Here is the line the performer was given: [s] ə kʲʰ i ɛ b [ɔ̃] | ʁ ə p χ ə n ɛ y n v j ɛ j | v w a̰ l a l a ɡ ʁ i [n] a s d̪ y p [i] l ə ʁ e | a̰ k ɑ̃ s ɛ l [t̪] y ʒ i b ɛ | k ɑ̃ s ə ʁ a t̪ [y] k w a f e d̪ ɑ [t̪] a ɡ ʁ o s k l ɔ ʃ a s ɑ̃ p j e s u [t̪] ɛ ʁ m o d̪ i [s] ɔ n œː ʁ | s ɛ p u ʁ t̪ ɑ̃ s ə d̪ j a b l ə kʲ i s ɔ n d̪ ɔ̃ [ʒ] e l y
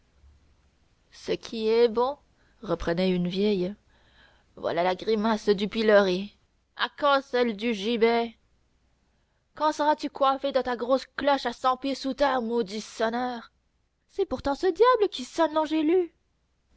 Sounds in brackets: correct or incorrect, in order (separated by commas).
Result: correct, correct, incorrect, correct, incorrect, correct, correct, correct, correct, correct